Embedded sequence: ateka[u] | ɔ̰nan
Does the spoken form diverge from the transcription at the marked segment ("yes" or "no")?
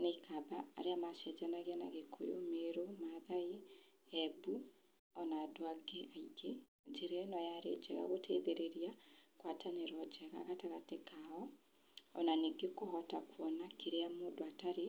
yes